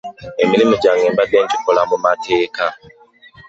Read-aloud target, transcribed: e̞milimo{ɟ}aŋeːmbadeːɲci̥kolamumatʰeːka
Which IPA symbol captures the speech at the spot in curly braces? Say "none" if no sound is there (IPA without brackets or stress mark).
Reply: ɟ